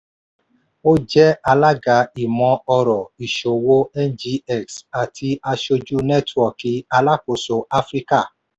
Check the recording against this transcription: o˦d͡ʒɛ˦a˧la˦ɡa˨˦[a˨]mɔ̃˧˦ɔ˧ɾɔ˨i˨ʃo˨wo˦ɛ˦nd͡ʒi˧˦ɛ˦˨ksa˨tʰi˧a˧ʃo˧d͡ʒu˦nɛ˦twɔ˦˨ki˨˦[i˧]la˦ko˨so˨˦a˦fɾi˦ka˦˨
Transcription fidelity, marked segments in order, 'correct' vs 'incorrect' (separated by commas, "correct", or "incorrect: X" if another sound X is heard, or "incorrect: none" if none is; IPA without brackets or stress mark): incorrect: i˨, incorrect: a˧